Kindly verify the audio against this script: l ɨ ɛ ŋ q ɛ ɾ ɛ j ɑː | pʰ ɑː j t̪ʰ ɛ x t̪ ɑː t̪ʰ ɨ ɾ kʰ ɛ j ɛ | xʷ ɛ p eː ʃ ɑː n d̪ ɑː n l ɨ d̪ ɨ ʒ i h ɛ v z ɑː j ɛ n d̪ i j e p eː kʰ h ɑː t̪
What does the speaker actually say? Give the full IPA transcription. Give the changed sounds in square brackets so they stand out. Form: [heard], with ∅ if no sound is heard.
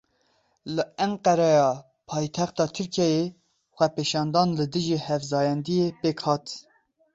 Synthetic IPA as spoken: l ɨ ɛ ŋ q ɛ ɾ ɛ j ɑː | pʰ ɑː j t̪ʰ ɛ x t̪ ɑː t̪ʰ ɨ ɾ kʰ ɛ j [e] | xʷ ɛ p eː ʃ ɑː n d̪ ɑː n l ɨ d̪ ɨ ʒ i h ɛ v z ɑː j ɛ n d̪ i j e p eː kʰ h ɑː t̪